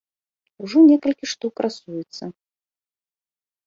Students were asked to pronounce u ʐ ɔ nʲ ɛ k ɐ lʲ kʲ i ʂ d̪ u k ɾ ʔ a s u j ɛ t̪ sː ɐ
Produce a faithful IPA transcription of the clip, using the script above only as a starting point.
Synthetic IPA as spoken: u ʐ ɔ nʲ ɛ k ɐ lʲ kʲ i ʂ t̪ u k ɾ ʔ a s u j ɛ t̪ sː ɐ